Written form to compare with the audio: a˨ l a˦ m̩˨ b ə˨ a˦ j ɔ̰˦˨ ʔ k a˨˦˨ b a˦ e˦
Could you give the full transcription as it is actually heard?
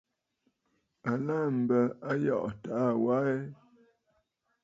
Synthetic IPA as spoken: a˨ l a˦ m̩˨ b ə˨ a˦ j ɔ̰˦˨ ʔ t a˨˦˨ w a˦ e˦